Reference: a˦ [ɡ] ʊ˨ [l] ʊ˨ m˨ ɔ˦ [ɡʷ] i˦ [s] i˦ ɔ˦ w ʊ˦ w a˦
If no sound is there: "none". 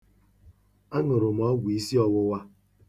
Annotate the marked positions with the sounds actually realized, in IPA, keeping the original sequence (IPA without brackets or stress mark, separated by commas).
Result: ŋ, ɾ, ɡʷ, s